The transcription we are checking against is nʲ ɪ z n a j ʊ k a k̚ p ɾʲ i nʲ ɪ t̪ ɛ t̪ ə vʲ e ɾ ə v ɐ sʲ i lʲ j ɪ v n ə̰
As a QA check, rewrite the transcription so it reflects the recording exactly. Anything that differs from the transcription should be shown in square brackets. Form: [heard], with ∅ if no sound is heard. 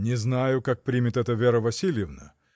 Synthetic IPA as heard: nʲ ɪ z n a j ʊ k a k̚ p ɾʲ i [mʲ] ɪ t̪ ɛ t̪ ə vʲ e ɾ ə v ɐ sʲ i lʲ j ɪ v n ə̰